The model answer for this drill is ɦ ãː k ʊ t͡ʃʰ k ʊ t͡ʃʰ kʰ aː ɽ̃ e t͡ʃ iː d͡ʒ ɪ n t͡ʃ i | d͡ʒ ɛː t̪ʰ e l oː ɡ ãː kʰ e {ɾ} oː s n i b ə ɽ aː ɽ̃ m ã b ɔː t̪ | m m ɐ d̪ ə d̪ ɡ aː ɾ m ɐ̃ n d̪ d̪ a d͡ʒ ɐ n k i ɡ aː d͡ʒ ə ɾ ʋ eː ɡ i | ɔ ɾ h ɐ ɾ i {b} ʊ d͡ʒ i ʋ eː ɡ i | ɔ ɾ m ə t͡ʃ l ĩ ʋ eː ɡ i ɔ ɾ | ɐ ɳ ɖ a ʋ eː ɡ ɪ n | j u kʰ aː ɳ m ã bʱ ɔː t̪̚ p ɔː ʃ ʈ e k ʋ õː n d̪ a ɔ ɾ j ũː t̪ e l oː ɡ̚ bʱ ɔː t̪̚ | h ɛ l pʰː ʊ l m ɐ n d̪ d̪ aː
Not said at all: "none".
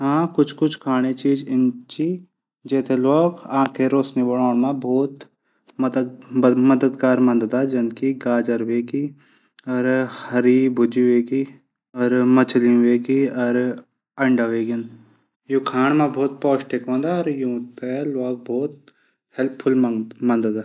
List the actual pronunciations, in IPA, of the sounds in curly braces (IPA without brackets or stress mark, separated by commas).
ɾ, b